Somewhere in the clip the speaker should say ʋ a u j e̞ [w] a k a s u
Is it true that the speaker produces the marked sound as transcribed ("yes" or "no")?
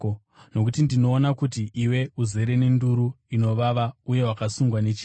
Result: yes